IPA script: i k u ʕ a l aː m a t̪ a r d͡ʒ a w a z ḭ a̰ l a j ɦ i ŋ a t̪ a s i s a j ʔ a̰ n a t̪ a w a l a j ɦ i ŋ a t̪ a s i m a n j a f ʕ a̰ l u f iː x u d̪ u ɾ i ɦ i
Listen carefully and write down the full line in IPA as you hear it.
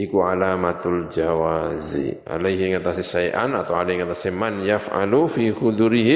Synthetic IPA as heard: i k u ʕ a l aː m a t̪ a l d͡ʒ a w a z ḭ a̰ l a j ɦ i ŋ a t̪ a s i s a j ʔ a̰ n a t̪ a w a l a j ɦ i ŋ a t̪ a s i m a n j a f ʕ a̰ l u f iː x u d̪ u ɾ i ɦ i